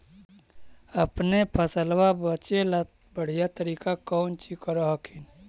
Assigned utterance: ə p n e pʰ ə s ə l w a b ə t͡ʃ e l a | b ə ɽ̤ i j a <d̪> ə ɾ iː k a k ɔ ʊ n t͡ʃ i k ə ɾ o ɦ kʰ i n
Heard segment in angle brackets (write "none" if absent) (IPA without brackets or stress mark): t̪